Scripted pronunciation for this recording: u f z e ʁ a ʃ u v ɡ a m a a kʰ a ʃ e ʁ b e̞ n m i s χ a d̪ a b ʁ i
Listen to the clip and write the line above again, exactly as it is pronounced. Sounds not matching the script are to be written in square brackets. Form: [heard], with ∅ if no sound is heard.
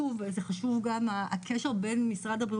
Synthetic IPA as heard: u [v] z e [χ] a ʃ u v ɡ a m a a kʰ [e] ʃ e ʁ b e̞ n m i s [ʁ] a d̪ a b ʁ i